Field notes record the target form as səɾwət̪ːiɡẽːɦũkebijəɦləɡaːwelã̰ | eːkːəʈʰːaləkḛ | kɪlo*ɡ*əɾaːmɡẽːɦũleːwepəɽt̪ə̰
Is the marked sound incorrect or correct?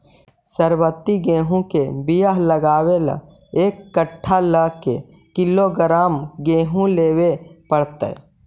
correct